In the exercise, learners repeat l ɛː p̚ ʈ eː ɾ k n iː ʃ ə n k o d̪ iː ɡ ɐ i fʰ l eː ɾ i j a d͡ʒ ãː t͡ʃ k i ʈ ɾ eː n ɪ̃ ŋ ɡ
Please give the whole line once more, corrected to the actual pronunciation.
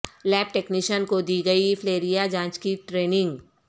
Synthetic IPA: l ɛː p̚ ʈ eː k n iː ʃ ə n k o d̪ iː ɡ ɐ i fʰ l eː ɾ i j a d͡ʒ ãː t͡ʃ k i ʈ ɾ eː n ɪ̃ ŋ ɡ